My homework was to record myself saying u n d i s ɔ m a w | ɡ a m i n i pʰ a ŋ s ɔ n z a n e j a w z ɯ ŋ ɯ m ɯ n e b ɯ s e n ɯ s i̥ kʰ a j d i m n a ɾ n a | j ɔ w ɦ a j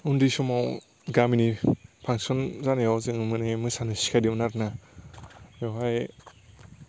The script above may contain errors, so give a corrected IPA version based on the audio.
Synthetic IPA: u n d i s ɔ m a w | ɡ a m i n i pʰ a ŋ s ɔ n z a n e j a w z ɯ ŋ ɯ m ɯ n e m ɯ s a n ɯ s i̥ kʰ a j d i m n a ɾ n a | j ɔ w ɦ a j